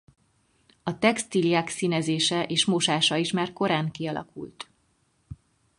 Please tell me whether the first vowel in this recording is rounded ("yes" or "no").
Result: yes